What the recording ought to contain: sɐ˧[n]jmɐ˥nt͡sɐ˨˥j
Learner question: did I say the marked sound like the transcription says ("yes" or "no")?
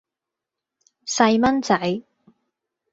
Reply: no